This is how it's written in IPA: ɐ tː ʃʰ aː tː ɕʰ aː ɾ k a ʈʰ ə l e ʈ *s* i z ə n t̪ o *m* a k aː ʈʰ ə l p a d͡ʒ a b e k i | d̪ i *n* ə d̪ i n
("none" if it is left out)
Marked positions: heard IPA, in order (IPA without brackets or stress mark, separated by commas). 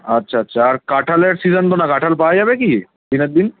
s, n, n